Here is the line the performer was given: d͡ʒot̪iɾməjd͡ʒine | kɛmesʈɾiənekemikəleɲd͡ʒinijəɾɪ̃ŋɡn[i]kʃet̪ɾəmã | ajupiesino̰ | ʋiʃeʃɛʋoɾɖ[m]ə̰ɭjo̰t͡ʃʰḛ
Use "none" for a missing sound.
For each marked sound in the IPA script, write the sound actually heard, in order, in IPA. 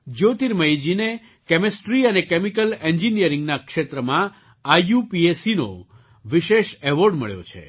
a, m

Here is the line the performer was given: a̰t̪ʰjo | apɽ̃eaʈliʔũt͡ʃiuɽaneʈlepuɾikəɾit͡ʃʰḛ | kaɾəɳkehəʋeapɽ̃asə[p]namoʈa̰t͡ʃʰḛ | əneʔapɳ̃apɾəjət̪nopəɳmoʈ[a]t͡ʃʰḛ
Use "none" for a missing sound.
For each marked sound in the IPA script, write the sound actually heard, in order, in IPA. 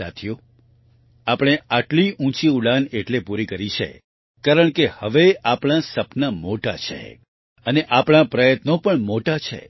p, a

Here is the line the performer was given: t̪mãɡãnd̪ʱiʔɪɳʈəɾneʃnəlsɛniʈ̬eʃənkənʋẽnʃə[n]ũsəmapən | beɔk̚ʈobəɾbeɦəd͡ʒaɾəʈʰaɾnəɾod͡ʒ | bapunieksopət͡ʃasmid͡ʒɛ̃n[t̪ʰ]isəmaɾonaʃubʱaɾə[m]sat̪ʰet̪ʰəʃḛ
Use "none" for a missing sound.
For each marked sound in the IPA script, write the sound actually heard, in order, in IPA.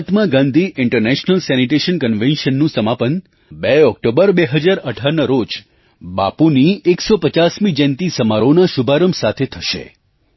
nː, t̪, m

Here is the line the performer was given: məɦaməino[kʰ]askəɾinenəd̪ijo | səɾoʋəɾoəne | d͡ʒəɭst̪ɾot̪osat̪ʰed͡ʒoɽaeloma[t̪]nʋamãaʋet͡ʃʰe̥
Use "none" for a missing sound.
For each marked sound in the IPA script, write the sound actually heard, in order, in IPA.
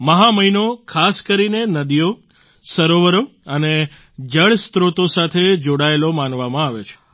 kʰ, none

